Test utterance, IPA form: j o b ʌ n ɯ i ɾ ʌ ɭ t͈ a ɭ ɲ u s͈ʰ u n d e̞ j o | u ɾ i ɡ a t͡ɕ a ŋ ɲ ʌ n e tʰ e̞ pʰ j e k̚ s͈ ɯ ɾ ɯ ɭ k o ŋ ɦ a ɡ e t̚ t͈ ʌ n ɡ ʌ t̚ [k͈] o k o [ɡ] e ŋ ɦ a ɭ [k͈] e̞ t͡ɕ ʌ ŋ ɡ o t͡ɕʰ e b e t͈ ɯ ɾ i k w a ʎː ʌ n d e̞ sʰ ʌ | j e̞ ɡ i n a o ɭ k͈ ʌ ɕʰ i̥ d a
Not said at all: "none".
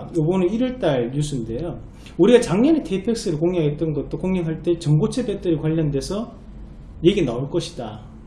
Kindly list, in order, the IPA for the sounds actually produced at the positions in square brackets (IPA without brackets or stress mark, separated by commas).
t͈, ŋ, t͈